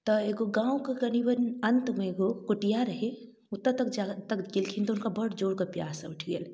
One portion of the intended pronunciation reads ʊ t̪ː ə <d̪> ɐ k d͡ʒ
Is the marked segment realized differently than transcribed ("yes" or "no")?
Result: yes